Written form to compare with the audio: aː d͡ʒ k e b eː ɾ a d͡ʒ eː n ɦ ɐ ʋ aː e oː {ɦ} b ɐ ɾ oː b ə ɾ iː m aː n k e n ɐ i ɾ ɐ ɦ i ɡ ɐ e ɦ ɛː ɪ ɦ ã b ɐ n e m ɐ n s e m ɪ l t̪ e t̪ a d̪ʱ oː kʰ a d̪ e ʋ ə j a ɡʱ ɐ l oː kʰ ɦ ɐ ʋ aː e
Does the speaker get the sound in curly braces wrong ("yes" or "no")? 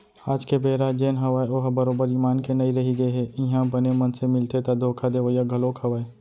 no